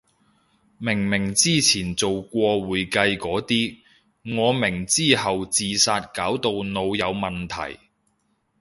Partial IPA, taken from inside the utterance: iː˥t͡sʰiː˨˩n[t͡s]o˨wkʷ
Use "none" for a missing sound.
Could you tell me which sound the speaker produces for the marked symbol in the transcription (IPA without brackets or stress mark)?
t͡s